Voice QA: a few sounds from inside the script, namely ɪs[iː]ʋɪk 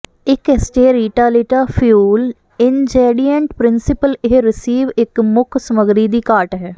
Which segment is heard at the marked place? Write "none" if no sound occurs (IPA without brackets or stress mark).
iː